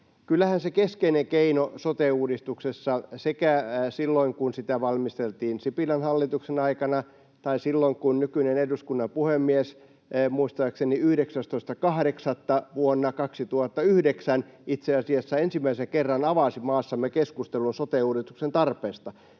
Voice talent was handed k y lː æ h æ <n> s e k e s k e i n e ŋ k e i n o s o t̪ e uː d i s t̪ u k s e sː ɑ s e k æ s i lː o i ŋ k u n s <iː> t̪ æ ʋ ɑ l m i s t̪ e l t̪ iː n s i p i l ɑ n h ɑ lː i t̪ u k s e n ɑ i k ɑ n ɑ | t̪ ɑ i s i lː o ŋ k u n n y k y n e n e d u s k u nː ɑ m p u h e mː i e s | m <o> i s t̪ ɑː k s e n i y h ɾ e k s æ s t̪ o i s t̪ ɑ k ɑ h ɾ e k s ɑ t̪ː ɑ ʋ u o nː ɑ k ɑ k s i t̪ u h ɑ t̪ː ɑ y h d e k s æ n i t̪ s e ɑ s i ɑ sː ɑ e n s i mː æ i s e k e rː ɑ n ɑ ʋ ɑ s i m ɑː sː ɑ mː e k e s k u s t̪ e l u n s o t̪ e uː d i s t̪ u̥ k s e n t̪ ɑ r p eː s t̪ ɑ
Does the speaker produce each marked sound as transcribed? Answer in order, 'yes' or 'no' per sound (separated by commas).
yes, no, no